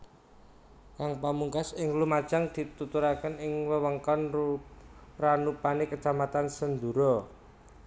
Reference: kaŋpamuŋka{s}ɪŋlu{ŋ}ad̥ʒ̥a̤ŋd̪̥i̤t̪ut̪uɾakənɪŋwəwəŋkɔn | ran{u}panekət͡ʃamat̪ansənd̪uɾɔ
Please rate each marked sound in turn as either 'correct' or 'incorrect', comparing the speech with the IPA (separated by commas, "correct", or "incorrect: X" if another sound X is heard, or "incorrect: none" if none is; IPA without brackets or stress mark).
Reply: correct, incorrect: m, correct